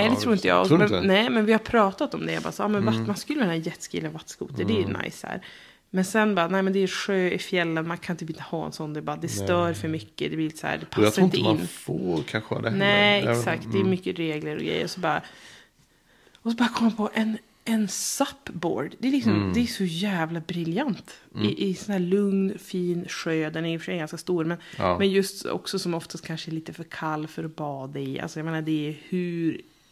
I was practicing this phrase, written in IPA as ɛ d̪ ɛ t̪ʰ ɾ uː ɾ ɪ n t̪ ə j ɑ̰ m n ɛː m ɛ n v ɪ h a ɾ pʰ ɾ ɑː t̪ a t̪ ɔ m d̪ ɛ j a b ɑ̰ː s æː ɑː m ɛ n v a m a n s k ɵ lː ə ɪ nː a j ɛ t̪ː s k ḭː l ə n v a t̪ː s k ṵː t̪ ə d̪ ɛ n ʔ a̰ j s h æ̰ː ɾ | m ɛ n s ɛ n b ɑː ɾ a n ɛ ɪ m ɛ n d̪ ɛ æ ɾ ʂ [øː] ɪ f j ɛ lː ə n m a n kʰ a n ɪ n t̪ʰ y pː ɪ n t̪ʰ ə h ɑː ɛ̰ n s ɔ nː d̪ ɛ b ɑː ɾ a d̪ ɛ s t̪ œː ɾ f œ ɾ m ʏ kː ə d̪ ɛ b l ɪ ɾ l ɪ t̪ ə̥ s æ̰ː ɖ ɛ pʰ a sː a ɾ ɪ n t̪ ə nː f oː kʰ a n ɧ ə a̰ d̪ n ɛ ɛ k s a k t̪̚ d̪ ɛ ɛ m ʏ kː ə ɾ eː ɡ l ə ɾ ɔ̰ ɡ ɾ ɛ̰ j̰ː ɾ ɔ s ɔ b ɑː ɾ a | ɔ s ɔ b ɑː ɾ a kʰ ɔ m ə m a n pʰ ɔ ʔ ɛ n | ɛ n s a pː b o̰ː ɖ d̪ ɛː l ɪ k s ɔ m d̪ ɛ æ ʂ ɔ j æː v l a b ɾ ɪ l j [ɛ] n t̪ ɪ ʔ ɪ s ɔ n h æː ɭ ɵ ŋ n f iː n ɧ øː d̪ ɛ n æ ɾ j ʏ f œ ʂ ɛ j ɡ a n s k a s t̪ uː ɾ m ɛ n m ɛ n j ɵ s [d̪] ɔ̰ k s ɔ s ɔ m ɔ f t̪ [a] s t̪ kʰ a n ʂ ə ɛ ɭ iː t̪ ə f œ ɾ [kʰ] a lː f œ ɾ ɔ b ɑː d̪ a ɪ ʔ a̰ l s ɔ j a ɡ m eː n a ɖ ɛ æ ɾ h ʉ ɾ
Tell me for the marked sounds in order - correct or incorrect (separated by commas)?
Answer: correct, incorrect, incorrect, correct, correct